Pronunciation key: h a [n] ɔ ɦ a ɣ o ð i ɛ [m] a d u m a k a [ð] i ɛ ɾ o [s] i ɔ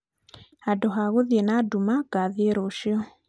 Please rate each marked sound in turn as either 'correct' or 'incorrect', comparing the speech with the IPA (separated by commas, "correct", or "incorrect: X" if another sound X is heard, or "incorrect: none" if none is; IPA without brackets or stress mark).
incorrect: d, incorrect: n, correct, incorrect: ʃ